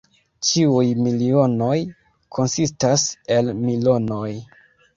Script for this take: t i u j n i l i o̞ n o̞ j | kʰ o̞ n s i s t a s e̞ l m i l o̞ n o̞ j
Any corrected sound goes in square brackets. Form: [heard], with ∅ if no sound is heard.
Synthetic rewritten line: [t͡ʃ] i u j [m] i l i o̞ n o̞ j | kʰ o̞ n s i s t a s e̞ l m i l o̞ n o̞ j